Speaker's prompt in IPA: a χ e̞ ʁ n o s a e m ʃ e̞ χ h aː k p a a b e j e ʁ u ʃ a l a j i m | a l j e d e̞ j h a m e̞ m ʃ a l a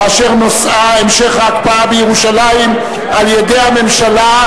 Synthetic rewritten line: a ʃ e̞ ʁ n o s a e m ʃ e̞ χ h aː k p a a b e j e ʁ u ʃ a l a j i m | a l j e d e̞ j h a m e̞ m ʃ a l a